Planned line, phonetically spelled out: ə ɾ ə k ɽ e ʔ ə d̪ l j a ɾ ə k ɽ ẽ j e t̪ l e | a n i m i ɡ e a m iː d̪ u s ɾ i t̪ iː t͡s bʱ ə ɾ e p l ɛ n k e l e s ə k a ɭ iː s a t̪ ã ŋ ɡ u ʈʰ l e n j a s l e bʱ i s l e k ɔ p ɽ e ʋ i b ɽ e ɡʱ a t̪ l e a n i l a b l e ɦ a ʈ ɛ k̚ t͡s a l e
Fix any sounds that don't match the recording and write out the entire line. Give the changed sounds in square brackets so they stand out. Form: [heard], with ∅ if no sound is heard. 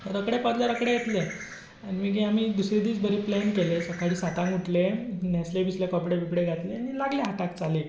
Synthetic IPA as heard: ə ɾ ə k ɽ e [p] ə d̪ l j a ɾ ə k ɽ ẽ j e t̪ l e | a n i m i ɡ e a m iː d̪ u s ɾ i [d̪] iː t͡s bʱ ə ɾ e p l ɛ n k e l e s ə k a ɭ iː s a t̪ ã ŋ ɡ u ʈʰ l e n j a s l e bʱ i s l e k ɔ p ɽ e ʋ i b ɽ e ɡʱ a t̪ l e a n i l a [ɡ] l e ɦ a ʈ [a] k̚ t͡s a l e